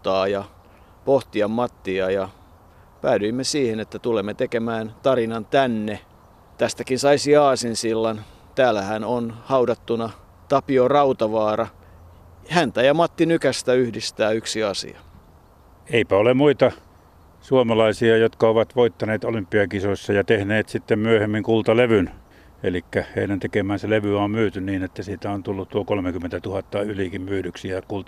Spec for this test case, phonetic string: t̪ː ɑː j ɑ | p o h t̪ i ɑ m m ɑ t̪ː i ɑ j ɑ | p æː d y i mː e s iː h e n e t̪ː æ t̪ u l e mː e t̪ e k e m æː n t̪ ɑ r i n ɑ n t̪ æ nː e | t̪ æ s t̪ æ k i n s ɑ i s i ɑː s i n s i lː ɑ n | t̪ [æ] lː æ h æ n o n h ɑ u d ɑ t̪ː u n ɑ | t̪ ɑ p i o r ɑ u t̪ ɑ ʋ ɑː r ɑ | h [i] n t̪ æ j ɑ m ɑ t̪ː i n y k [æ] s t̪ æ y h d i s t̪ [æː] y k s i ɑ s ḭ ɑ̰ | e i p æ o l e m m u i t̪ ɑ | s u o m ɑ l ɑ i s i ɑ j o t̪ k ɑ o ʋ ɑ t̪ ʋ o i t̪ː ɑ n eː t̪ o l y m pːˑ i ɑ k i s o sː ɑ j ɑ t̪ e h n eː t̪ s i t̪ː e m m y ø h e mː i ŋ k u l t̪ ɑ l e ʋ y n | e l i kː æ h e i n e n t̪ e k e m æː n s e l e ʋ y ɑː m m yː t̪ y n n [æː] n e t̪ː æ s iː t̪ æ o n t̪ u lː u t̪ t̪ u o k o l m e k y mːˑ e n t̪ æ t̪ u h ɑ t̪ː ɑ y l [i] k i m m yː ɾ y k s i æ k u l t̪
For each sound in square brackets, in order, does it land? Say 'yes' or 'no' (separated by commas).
no, no, yes, yes, no, yes